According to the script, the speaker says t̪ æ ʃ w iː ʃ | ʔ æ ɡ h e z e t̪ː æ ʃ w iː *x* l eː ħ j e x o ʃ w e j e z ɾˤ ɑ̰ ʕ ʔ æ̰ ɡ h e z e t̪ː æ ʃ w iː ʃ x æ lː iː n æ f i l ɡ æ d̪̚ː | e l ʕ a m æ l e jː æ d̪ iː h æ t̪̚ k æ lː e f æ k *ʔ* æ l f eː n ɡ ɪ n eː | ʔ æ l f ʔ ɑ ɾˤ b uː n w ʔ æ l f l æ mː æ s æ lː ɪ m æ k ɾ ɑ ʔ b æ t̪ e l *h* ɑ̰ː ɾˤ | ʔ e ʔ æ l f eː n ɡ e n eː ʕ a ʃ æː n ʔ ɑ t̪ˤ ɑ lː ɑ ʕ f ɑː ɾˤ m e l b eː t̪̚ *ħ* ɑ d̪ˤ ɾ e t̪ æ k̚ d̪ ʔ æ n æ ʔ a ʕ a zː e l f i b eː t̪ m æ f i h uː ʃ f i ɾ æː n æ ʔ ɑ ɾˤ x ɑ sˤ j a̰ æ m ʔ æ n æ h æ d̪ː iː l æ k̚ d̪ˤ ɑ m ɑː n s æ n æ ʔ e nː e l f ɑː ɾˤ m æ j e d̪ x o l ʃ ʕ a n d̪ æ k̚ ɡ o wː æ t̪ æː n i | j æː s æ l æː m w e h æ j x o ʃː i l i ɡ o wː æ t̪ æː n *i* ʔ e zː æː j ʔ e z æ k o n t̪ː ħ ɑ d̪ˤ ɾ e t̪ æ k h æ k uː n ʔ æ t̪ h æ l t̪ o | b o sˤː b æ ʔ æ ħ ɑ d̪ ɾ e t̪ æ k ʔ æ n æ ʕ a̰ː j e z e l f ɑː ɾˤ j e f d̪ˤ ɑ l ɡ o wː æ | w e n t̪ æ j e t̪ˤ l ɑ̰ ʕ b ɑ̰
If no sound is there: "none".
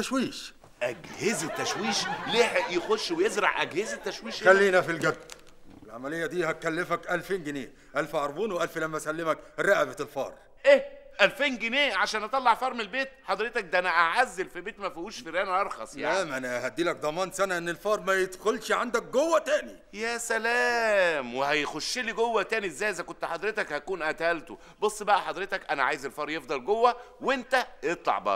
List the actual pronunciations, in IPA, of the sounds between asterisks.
ʃ, ʔ, f, ħ, i

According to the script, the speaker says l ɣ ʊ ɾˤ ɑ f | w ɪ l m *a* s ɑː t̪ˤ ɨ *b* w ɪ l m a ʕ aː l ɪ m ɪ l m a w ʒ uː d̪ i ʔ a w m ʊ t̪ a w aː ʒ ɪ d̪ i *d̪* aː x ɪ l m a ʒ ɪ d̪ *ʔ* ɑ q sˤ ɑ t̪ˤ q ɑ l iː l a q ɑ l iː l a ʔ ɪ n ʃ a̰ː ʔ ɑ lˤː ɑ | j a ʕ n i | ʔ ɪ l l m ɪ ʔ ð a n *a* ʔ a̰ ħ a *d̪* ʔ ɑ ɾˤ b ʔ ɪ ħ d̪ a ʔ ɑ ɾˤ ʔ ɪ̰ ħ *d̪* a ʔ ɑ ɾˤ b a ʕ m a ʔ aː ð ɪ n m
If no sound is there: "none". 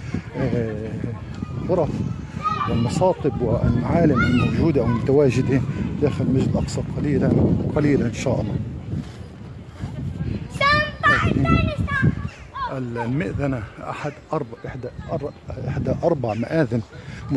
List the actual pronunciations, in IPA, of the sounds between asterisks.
ɑ, b, d̪, ʔ, a, d̪, d̪

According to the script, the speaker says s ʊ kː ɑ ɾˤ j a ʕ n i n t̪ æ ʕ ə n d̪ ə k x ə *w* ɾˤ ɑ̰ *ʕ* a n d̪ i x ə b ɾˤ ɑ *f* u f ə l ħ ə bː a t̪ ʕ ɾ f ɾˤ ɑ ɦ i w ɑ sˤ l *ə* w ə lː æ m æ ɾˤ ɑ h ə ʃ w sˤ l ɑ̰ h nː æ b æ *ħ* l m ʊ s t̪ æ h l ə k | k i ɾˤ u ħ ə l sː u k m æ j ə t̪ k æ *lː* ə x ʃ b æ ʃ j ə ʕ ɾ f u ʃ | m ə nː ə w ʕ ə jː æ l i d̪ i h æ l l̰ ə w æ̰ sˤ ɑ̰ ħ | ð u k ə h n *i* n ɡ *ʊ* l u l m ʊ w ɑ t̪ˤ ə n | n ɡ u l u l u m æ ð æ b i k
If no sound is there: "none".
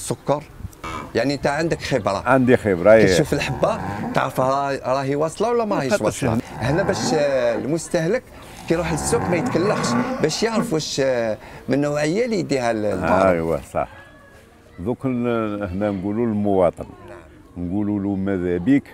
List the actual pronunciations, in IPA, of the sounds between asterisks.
b, ʕ, ʃ, ɑ, ʃ, lː, æ, u

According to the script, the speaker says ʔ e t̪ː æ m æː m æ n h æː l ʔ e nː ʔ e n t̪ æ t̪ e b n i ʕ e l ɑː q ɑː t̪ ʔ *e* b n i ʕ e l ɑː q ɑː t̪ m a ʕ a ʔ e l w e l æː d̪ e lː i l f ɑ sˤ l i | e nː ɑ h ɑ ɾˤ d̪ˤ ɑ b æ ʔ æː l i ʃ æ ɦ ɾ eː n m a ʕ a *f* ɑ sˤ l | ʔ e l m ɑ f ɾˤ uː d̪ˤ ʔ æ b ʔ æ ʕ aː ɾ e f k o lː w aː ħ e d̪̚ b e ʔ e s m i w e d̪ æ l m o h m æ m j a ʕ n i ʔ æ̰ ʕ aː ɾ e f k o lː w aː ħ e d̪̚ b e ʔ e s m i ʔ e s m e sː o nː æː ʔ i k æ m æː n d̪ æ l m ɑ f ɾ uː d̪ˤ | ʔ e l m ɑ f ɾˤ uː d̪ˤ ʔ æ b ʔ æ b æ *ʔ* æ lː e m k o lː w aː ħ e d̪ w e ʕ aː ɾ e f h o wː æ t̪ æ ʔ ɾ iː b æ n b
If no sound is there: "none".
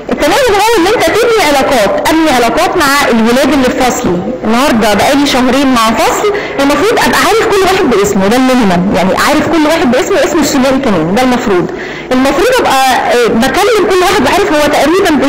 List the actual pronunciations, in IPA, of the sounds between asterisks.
æ, f, k

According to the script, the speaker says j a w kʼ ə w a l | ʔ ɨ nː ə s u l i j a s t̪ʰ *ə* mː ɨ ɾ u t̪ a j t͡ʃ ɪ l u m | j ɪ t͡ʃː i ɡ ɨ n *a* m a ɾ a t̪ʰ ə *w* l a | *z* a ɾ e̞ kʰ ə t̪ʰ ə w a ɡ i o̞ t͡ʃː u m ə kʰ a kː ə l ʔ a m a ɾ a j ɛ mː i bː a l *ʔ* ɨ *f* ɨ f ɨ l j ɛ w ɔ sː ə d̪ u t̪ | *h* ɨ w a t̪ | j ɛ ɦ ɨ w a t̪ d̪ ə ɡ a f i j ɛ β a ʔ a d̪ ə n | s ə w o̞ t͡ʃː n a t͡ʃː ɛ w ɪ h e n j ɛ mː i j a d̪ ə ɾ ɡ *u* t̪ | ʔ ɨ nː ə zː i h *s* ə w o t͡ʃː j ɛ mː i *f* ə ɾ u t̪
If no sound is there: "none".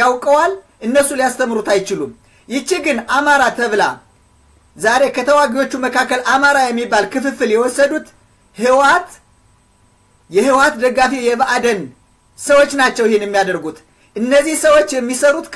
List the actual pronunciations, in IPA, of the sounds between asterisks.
ə, a, β, z, k, f, h, u, s, s

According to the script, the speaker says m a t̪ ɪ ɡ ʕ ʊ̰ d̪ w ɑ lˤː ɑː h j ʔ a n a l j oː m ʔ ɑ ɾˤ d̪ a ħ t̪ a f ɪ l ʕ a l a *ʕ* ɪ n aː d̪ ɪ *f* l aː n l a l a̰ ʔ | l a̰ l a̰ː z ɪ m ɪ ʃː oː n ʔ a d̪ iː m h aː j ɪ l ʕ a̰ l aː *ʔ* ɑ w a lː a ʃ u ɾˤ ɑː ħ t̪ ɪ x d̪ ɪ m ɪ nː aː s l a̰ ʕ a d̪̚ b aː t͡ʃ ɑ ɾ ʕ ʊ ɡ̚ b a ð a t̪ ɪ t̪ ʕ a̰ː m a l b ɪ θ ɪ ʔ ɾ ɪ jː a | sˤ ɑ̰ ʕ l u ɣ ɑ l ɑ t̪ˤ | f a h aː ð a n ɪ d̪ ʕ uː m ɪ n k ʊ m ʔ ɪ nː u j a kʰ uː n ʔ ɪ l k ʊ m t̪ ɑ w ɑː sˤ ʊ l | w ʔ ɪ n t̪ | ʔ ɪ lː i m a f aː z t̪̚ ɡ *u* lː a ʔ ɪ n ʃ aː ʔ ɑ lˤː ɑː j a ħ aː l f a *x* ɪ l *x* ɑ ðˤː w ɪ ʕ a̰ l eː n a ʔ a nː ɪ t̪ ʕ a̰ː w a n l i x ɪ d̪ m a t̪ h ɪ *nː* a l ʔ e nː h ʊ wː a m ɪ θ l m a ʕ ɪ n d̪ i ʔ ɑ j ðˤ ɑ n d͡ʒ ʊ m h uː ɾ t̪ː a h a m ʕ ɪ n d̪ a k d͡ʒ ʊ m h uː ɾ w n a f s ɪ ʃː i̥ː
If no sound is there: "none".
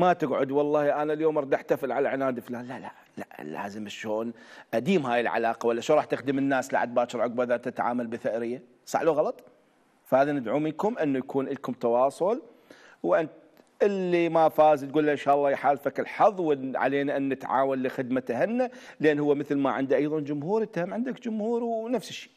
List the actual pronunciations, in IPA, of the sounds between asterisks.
ʕ, f, q, uː, k, ħ, nː

